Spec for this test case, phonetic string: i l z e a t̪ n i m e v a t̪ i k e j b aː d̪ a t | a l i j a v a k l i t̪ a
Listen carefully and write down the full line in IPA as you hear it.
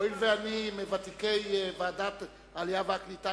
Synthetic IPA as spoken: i l v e a n i m e v a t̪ i k e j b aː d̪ a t | a l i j a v a k l i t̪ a